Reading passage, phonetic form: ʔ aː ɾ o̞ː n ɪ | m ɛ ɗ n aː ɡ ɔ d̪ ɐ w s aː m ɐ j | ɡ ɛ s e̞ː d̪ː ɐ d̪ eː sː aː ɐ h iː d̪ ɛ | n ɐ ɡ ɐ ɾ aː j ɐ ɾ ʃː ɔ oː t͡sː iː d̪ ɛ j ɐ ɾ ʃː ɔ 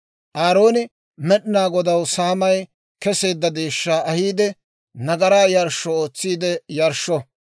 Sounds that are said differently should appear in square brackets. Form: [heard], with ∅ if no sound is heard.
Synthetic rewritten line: ʔ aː ɾ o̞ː n ɪ | m ɛ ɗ n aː ɡ ɔ d̪ ɐ w s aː m ɐ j | [k] ɛ s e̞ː d̪ː ɐ d̪ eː [ʃː] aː ɐ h iː d̪ ɛ | n ɐ ɡ ɐ ɾ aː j ɐ ɾ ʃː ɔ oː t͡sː iː d̪ ɛ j ɐ ɾ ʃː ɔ